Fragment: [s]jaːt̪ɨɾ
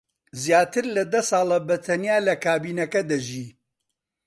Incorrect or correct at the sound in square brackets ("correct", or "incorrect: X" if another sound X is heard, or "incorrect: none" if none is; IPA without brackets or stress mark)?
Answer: incorrect: z